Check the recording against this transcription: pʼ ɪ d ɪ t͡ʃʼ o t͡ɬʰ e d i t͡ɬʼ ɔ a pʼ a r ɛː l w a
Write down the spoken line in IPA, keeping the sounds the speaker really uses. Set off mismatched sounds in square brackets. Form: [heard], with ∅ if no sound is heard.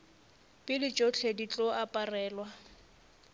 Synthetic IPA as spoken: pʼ ɪ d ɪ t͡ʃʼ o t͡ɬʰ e d i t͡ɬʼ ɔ a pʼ a r ɛː l w a

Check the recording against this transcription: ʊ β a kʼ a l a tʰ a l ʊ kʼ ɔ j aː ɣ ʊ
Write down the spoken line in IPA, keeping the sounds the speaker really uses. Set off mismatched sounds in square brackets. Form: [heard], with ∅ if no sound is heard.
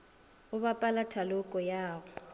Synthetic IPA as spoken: ʊ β a [pʼ] a l a tʰ a l ʊ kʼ ɔ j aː ɣ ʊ

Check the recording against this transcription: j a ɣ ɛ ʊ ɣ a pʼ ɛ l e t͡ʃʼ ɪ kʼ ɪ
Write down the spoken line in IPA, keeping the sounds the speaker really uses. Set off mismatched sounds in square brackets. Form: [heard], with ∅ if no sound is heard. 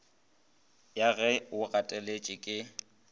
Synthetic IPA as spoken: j a ɣ ɛ ʊ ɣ a [tʼ] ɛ l e t͡ʃʼ ɪ kʼ ɪ

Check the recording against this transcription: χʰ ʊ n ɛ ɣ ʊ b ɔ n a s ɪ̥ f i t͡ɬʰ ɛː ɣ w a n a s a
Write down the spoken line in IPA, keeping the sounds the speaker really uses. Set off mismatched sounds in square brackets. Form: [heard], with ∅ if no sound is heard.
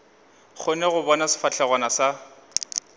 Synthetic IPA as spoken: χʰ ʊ n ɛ ɣ ʊ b ɔ n a s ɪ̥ f [a] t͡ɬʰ [ɛ] ɣ w a n a s a

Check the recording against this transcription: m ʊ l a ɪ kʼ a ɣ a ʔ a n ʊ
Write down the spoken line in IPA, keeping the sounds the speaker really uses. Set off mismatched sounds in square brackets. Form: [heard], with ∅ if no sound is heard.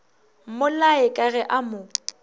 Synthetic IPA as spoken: m ʊ l a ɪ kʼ a ɣ [ɛ] ʔ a [m] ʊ

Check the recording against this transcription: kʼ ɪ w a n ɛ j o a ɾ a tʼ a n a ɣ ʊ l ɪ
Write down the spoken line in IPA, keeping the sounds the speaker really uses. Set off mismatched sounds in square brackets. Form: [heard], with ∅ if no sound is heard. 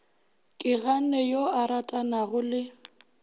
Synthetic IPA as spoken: kʼ ɪ [ɣ] a n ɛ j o a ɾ a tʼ a n a ɣ ʊ l ɪ

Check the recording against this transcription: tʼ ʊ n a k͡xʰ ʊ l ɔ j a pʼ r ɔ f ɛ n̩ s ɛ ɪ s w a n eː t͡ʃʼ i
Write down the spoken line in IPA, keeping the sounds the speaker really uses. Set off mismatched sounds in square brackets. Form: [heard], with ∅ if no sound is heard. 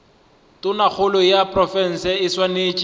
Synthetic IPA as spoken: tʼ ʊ n a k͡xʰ ʊ l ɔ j a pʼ r ɔ f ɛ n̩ s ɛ ɪ s w a n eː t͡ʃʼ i

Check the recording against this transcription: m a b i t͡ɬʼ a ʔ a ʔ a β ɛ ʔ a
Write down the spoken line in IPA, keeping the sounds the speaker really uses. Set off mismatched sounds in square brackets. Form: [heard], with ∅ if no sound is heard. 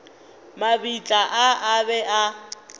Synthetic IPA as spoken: m a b i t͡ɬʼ a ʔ a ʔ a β ɛ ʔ a

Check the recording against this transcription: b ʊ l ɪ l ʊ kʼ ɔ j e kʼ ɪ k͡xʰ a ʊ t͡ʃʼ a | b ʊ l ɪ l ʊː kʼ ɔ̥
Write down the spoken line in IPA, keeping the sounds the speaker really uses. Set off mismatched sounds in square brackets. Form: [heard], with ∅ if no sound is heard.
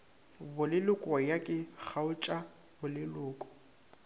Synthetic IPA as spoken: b ʊ l ɪ l ʊ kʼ ɔ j [a] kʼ ɪ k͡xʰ a ʊ t͡ʃʼ a | b ʊ l ɪ l ʊː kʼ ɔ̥

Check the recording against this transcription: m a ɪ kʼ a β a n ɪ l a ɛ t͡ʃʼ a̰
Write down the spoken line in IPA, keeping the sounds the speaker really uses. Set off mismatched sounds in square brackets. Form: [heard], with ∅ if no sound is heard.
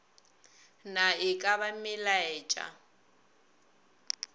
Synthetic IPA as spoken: [n] a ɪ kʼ a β a [m] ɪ l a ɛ t͡ʃʼ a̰

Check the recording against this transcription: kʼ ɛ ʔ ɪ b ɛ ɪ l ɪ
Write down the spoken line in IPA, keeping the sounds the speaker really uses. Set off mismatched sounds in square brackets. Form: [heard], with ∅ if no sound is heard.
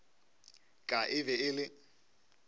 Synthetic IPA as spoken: kʼ [a] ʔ ɪ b ɛ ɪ l ɪ

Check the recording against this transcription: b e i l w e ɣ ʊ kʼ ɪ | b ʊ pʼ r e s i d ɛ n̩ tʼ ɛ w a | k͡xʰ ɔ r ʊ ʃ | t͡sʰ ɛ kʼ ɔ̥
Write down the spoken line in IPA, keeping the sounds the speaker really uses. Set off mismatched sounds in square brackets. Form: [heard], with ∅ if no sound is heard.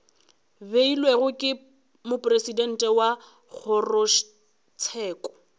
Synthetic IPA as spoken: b e i l w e ɣ ʊ kʼ ɪ | [m] ʊ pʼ r e s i d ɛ n̩ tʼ ɛ w a | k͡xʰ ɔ r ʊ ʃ | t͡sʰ [ɛː] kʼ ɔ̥

